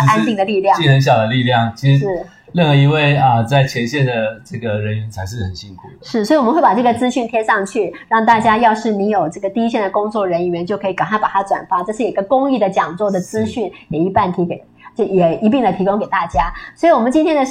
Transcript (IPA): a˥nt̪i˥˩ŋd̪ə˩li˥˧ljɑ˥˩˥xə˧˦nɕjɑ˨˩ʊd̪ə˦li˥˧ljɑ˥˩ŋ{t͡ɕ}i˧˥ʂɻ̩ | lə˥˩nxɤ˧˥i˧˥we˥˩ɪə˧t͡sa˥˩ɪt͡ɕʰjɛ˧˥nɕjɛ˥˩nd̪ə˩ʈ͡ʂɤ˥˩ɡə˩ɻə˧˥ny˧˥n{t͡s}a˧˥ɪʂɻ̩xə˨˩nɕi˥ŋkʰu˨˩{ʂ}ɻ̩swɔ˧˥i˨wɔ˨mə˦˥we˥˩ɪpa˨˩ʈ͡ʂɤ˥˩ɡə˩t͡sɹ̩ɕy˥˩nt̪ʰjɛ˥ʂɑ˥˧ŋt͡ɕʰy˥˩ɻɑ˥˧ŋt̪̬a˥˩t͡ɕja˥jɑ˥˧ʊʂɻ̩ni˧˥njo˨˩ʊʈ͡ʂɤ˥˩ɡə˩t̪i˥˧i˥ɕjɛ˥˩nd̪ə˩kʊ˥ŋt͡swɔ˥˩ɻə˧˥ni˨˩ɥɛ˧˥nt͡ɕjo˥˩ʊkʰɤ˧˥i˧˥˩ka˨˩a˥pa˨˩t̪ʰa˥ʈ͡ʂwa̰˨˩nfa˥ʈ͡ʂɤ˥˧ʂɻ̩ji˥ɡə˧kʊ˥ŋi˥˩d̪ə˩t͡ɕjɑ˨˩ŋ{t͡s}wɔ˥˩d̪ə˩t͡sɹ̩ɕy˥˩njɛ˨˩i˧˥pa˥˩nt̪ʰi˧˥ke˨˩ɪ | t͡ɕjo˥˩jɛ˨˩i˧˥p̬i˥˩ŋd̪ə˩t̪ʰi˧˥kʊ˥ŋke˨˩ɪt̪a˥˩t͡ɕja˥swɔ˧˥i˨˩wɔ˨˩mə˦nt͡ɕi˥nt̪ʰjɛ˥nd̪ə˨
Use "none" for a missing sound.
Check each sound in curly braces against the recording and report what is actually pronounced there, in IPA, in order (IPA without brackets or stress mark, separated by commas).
t͡ɕʰ, t͡sʰ, ʂ, t͡s